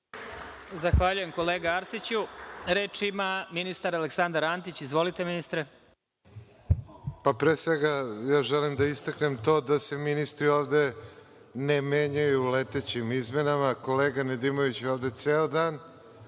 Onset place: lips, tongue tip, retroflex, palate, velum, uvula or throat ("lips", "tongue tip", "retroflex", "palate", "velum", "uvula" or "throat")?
tongue tip